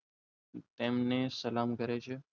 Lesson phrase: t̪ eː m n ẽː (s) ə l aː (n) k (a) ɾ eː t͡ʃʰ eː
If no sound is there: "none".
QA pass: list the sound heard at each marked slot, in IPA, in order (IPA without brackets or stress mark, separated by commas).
s, m, ə